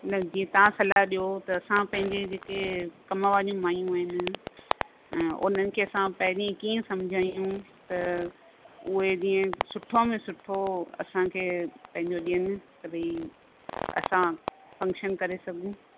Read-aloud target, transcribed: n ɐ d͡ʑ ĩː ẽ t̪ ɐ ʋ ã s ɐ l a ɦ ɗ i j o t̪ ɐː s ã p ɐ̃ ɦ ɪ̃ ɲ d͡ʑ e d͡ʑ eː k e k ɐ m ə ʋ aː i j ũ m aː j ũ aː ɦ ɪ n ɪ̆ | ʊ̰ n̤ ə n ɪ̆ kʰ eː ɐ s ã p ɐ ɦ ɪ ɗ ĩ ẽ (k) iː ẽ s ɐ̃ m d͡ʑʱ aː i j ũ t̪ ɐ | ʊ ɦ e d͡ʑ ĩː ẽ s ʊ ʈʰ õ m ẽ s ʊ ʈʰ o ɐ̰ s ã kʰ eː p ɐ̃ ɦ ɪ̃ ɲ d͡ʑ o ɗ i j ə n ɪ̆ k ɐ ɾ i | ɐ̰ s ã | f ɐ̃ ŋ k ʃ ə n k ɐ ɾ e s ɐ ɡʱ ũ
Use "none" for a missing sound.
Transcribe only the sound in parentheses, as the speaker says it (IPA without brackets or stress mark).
k